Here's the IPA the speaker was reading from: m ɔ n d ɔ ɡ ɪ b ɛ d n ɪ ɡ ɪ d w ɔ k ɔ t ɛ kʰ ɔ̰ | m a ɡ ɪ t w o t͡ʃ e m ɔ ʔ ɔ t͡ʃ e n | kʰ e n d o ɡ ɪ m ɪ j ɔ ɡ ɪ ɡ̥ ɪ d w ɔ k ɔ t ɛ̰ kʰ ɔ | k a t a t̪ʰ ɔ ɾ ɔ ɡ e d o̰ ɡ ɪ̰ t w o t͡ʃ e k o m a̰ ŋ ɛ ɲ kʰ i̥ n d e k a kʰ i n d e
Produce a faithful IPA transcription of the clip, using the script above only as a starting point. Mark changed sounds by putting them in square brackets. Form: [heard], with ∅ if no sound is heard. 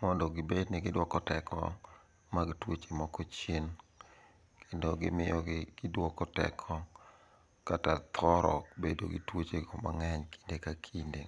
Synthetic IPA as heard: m ɔ n d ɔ ɡ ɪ b [e] d n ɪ ɡ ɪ d w ɔ k ɔ t ɛ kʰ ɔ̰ | m a ɡ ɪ t w o t͡ʃ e m ɔ [k] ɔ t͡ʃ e n | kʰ e n d o ɡ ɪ m ɪ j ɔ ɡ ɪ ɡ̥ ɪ d w ɔ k ɔ t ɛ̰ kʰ ɔ | k a t a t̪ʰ ɔ ɾ ɔ [b] e d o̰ ɡ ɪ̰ t w o t͡ʃ e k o m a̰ ŋ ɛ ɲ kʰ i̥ n d e k a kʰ i n d e

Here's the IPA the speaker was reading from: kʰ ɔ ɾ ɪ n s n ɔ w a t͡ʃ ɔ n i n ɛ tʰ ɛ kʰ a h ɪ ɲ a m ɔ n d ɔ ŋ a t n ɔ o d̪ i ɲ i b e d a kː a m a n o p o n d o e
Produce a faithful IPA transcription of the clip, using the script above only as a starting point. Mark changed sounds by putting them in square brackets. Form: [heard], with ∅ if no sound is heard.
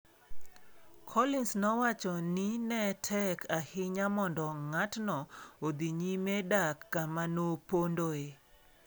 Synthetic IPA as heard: kʰ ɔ [l] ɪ n s n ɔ w a t͡ʃ ɔ n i n ɛ tʰ ɛ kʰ a h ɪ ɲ a m ɔ n d ɔ ŋ a t n ɔ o d̪ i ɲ i [m] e d a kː a m a n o p o n d o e

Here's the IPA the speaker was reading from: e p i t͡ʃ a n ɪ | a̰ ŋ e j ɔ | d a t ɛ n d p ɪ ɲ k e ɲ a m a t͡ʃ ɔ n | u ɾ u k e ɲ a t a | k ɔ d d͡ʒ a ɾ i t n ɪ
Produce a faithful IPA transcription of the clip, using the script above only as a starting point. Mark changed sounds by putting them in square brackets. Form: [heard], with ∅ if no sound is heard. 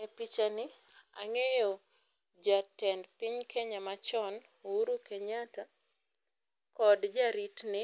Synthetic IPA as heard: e p i t͡ʃ a n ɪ | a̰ ŋ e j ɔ | [d͡ʒ] a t ɛ n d p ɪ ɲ k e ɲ a m a t͡ʃ ɔ n | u ɾ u k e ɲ a t a | k ɔ d d͡ʒ a ɾ i t n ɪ

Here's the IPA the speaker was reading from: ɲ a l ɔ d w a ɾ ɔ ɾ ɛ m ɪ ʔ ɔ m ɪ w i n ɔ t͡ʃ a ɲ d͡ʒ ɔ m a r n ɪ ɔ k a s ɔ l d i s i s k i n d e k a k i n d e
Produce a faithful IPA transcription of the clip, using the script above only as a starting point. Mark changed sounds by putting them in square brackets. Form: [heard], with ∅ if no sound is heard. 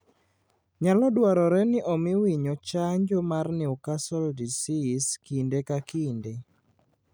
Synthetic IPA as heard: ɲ a l ɔ d w a ɾ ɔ ɾ ɛ [n] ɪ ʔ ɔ m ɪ w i [ɲ] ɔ t͡ʃ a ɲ d͡ʒ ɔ m a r n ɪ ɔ k a s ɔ l d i s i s k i n d e k a k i n d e

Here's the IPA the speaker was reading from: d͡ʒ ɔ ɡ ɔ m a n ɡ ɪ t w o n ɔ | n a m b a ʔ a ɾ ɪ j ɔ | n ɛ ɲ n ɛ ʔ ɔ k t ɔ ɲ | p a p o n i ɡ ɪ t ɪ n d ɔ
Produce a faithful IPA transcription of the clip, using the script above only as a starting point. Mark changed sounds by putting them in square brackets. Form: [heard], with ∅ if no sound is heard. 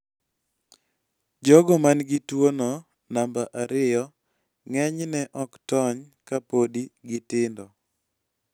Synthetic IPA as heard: d͡ʒ ɔ ɡ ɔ m a n ɡ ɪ t w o n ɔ | n a m b a ʔ a ɾ ɪ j ɔ | [ŋ] ɛ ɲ n ɛ ʔ ɔ k t ɔ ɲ | [k] a p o [d] i ɡ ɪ t ɪ n d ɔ

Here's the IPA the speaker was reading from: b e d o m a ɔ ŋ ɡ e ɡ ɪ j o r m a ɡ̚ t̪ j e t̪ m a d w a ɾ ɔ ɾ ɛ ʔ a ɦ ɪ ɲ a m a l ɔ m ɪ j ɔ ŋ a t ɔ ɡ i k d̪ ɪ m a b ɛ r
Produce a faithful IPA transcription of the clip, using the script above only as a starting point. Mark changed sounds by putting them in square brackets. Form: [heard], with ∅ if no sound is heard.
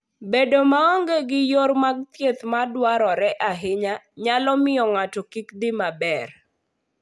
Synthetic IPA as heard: b e d o m a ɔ ŋ ɡ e ɡ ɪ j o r m a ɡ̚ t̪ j e t̪ m a d w a ɾ ɔ ɾ ɛ ʔ a ɦ ɪ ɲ a [ɲ] a l ɔ m ɪ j ɔ ŋ a t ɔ [k] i k d̪ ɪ m a b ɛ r

